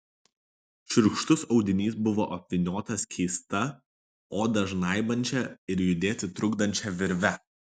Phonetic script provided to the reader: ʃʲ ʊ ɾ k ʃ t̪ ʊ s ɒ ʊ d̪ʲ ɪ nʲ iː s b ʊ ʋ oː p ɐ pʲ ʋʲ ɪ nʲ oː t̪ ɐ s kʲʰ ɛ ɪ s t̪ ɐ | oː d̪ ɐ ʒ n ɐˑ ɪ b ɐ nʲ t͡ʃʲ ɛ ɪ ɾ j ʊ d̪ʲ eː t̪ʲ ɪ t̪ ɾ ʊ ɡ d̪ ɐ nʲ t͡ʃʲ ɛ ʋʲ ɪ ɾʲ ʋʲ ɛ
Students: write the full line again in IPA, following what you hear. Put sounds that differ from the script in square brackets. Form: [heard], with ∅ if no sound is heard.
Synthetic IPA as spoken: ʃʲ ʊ ɾ k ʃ t̪ ʊ s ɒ ʊ d̪ʲ ɪ nʲ iː s b ʊ ʋ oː [ʔ] ɐ pʲ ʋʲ ɪ nʲ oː t̪ ɐ s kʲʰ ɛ ɪ s t̪ ɐ | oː d̪ ɐ ʒ n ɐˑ ɪ b ɐ nʲ t͡ʃʲ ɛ ɪ ɾ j ʊ d̪ʲ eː t̪ʲ ɪ t̪ ɾ ʊ ɡ d̪ ɐ nʲ t͡ʃʲ ɛ ʋʲ ɪ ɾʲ ʋʲ ɛ